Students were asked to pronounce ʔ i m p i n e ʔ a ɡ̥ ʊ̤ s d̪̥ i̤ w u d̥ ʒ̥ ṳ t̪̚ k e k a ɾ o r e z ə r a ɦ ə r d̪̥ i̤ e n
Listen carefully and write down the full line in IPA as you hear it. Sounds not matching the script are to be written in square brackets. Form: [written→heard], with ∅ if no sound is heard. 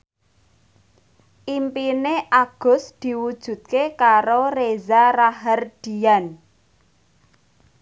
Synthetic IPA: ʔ i m p i n e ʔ a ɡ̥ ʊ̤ s d̪̥ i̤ w u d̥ ʒ̥ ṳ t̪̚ k e k a ɾ o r e z [ə→a] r a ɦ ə r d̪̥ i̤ [e→a] n